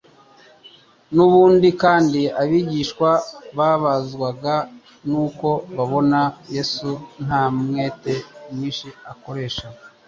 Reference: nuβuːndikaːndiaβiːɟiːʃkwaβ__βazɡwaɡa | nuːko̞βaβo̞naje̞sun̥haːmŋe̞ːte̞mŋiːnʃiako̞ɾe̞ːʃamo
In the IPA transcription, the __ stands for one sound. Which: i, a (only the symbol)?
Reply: a